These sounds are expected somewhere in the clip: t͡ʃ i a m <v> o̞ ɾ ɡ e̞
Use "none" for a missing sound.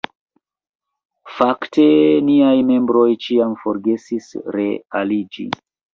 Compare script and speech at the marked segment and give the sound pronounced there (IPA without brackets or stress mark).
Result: f